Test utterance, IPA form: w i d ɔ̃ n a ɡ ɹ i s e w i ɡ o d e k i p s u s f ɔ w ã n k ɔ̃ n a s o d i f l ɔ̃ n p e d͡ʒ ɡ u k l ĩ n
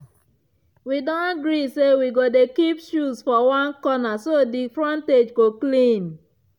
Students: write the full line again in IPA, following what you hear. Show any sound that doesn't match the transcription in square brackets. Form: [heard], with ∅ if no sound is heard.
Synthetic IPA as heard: w i d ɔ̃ n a ɡ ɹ i s e w i ɡ o d e k i p [ʃ] u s f ɔ w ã n k [ɔ] n a s o d i f [ɹ] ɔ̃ n [t] e d͡ʒ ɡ [o] k l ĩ n